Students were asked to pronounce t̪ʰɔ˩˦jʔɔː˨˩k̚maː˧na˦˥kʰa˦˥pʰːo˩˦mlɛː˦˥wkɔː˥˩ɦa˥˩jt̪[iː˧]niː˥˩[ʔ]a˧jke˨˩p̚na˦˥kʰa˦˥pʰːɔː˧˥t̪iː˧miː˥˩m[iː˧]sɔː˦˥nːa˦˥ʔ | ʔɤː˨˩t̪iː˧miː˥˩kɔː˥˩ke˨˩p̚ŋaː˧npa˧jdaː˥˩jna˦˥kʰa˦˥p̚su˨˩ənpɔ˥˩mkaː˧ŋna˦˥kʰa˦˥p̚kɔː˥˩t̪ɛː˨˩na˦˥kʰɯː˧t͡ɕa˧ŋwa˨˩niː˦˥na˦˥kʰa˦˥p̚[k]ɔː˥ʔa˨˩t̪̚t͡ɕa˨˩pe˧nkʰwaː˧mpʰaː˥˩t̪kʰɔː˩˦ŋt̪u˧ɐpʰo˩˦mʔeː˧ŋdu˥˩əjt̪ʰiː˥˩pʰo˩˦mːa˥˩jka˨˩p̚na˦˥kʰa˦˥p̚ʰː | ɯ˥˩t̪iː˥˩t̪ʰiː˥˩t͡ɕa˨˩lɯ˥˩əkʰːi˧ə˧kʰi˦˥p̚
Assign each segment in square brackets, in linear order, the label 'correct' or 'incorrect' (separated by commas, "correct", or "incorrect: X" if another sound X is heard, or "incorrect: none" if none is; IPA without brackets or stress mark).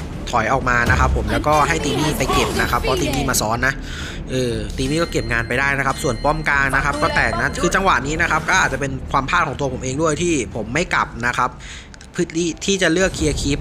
correct, incorrect: p, incorrect: aː˧, correct